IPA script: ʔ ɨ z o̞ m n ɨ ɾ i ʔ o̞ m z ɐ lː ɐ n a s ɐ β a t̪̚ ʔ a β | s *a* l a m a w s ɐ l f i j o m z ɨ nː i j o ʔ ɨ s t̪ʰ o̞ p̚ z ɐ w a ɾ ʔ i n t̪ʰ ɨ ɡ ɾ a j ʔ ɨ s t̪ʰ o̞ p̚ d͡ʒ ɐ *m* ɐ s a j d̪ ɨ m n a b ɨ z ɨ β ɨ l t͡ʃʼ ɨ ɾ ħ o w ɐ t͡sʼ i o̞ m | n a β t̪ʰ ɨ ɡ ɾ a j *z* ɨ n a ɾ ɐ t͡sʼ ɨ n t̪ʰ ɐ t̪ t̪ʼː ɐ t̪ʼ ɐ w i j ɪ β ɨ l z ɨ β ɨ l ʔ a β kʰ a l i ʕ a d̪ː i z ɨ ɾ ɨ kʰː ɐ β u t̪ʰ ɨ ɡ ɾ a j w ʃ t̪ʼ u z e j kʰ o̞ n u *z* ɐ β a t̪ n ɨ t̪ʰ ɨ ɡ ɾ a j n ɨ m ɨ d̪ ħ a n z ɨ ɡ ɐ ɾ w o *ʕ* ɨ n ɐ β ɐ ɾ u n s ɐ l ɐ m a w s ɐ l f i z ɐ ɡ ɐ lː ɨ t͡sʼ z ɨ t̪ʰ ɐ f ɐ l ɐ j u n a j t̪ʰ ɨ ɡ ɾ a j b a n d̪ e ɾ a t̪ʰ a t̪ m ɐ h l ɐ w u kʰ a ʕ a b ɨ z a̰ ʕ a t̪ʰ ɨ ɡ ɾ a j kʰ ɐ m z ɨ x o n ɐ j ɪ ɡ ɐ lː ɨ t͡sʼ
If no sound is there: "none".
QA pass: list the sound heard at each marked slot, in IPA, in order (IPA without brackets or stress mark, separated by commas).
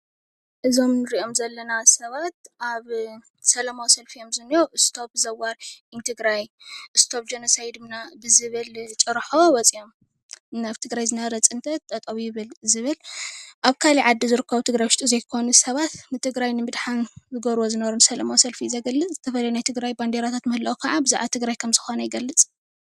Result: ɐ, n, z, s, z